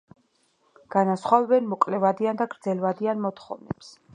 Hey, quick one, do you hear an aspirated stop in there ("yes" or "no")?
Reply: no